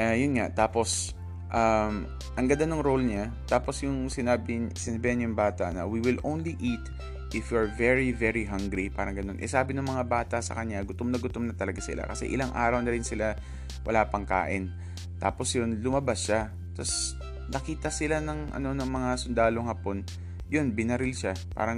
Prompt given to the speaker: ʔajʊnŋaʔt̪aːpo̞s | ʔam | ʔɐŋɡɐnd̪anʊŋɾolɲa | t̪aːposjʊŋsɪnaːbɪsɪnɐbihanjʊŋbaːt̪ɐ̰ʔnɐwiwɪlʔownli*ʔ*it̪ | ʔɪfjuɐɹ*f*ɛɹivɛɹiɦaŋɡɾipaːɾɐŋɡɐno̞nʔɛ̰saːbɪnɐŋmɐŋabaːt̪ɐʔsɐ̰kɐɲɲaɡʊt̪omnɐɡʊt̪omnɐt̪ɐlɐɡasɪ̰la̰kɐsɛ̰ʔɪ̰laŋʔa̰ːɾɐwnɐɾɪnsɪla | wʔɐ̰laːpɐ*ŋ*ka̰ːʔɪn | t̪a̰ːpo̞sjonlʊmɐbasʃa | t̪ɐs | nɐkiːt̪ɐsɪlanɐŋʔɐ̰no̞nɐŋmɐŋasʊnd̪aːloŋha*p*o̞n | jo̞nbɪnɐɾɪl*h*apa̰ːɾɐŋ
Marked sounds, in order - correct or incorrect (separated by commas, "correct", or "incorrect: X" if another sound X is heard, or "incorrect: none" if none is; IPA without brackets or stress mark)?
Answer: correct, incorrect: v, correct, correct, incorrect: ʃ